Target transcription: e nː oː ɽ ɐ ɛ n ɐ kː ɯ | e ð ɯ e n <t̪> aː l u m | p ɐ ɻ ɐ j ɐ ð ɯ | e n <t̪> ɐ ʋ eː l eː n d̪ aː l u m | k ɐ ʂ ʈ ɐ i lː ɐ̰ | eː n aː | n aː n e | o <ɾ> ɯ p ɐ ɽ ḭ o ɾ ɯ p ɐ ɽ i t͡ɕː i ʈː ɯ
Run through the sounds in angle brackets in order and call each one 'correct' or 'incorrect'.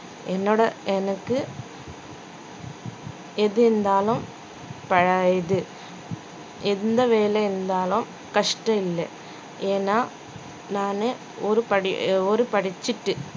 incorrect, incorrect, correct

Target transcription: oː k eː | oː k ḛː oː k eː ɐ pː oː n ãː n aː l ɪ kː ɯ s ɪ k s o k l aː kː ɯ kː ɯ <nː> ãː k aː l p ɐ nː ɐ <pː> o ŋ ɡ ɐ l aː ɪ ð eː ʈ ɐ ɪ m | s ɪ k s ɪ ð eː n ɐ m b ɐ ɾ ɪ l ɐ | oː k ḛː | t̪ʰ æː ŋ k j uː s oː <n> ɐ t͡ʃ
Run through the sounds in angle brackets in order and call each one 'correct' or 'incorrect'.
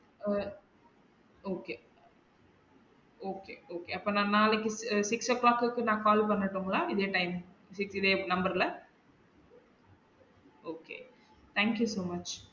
incorrect, incorrect, incorrect

